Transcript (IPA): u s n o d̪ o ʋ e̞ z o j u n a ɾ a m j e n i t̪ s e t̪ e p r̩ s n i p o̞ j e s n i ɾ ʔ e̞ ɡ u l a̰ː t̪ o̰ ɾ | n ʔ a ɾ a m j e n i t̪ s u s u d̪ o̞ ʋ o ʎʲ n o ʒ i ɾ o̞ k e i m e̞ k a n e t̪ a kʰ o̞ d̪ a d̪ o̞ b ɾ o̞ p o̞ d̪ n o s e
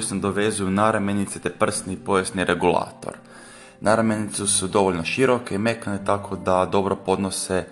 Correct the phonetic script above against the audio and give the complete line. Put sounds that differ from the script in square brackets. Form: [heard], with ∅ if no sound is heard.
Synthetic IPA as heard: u s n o d̪ o ʋ e̞ z [u] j u n a ɾ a m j e n i t̪ s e t̪ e p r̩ s n i p o̞ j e s n i ɾ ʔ e̞ ɡ u l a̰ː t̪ o̰ ɾ | n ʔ a ɾ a m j e n i t̪ s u s u d̪ o̞ ʋ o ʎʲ n o [ʃ] i ɾ o̞ k e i m e̞ k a n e t̪ a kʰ o̞ d̪ a d̪ o̞ b ɾ o̞ p o̞ d̪ n o s e